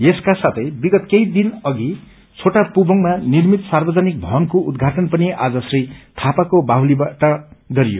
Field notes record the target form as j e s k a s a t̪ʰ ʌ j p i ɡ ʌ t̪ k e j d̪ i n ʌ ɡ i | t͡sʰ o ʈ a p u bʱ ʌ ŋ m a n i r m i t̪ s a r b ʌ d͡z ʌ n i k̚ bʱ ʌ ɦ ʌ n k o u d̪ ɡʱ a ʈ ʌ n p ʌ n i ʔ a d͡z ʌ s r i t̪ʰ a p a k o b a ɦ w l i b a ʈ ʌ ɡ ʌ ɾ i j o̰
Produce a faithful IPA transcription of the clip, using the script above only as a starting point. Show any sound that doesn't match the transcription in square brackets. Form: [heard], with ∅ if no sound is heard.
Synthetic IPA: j e s k a s a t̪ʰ ʌ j [b] i ɡ ʌ t̪ k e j d̪ i n ʌ ɡ i | t͡sʰ o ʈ a p u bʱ ʌ ŋ m a n i r m i t̪ s a r b ʌ d͡z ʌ n i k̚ bʱ ʌ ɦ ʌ n k o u d̪ ɡʱ a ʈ ʌ n p ʌ n i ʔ a d͡z ʌ s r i t̪ʰ a p a k o b a ɦ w l i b a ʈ ʌ ɡ ʌ ɾ i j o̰